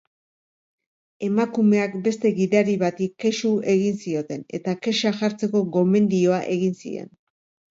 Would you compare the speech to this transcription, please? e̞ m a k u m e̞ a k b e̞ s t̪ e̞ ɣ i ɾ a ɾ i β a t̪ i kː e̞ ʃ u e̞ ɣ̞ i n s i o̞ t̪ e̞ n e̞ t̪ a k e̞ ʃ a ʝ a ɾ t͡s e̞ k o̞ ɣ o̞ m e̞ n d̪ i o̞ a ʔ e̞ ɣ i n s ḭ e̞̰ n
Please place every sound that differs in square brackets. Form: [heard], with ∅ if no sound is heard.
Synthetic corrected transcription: e̞ m a k u m e̞ a k b e̞ s t̪ e̞ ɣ i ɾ a ɾ i β a t̪ i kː e̞ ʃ u e̞ ɣ̞ i n s i o̞ t̪ e̞ n e̞ t̪ a k e̞ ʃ a ʝ a ɾ t͡s e̞ k o̞ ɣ o̞ m e̞ n d̪ i o̞ a ʔ e̞ ɣ i n s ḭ e̞̰ n